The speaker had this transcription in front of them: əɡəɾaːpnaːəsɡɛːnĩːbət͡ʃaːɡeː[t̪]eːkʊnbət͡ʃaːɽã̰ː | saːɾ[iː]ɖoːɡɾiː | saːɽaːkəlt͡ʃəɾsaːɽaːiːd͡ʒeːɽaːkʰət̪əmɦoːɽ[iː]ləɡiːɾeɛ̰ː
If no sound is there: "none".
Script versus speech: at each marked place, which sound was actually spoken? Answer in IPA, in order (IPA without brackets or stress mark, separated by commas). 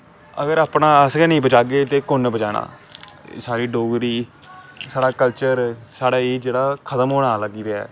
t̪, iː, aː